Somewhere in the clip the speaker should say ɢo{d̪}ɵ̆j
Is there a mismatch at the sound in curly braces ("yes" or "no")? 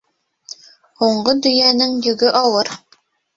no